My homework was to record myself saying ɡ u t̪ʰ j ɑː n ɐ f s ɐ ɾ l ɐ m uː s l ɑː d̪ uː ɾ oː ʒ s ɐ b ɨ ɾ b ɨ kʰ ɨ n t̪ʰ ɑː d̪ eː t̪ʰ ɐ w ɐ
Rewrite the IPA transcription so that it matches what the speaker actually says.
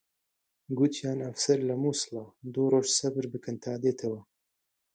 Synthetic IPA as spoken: ɡ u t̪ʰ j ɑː n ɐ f s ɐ ɾ l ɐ m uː s l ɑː d̪ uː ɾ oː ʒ s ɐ b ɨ ɾ b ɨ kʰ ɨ n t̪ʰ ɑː d̪ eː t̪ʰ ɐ w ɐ